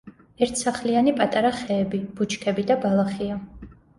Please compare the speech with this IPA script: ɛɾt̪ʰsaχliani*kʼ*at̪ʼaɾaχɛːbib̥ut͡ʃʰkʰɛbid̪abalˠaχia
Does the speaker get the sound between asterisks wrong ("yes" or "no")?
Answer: yes